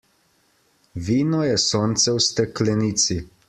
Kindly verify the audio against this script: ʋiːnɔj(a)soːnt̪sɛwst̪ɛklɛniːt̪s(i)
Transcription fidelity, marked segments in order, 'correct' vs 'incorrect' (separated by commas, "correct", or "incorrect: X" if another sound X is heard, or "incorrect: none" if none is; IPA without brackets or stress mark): incorrect: ɛ, correct